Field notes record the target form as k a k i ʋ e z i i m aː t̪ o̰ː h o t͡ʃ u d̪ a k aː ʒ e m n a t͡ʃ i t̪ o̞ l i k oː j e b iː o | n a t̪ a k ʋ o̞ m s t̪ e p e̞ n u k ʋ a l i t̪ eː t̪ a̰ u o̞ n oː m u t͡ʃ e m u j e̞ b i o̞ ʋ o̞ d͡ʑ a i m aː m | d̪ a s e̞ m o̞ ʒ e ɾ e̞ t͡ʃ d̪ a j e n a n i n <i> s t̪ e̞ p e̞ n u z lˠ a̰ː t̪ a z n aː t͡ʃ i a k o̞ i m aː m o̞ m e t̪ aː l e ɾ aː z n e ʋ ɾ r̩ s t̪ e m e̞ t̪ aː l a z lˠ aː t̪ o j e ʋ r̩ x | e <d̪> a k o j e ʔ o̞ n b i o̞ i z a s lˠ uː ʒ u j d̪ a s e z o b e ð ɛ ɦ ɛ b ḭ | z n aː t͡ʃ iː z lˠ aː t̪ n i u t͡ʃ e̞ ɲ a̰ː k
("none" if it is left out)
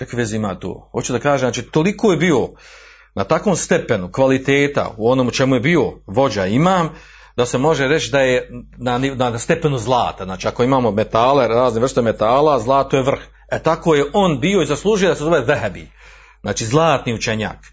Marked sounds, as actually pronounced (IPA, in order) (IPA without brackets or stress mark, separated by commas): a, t̪